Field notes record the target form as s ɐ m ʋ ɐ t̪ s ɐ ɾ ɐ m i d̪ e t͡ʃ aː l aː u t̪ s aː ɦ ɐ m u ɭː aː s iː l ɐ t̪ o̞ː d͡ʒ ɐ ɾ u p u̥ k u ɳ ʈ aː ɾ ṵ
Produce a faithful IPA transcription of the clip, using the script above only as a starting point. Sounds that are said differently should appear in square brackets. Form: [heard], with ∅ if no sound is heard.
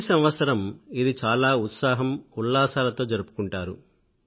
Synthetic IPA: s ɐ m ʋ ɐ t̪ s ɐ ɾ ɐ m i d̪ [i] t͡ʃ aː l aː u t̪ s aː ɦ ɐ m u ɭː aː s [aː] l ɐ t̪ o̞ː d͡ʒ ɐ ɾ u p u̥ k u ɳ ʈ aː ɾ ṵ